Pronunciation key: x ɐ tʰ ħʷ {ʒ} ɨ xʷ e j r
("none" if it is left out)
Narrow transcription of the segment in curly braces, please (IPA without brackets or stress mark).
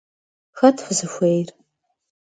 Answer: z